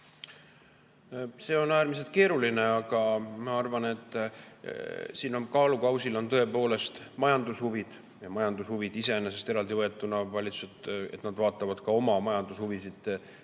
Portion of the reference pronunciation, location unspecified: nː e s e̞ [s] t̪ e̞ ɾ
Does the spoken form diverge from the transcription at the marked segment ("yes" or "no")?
no